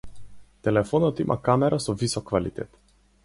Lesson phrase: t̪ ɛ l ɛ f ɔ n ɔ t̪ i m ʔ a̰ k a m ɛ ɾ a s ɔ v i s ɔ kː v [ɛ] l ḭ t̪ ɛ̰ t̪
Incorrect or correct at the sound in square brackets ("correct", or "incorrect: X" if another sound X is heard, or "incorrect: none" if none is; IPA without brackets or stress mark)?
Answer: incorrect: a